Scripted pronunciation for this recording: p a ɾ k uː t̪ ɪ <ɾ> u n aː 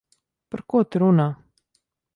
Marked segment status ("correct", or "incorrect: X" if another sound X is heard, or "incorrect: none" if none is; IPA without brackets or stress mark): correct